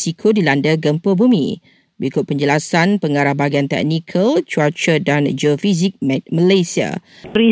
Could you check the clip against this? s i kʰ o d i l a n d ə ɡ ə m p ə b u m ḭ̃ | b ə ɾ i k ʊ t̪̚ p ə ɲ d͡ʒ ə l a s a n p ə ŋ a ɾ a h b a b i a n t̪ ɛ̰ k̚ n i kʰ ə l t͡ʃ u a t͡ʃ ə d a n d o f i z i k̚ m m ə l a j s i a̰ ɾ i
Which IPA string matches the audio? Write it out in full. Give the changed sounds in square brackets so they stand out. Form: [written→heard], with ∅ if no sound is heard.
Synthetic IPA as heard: s i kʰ o d i l a n d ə ɡ ə m p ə b u m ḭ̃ | b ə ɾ i k ʊ t̪̚ p ə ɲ d͡ʒ ə l a s a n p ə ŋ a ɾ a h b a [b→ɡ] i a n t̪ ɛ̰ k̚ n i kʰ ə l t͡ʃ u a t͡ʃ ə d a n [d→d͡ʒ] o f i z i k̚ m m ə l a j s i a̰ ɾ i